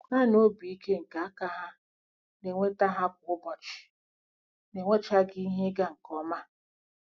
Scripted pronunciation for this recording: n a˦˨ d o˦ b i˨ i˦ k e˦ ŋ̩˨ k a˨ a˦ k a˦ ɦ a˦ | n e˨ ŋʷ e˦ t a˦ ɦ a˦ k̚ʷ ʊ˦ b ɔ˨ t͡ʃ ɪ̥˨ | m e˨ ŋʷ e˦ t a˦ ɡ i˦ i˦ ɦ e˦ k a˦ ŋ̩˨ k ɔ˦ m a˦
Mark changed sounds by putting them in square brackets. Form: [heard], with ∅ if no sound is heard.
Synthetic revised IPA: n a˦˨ [n] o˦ b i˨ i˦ k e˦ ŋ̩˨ k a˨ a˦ k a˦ ɦ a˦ | n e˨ ŋʷ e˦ t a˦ ɦ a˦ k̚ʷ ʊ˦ b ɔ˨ t͡ʃ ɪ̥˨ | [n] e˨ ŋʷ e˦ [t͡ʃ] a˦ ɡ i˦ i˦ ɦ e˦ [ɡ] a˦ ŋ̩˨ k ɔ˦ m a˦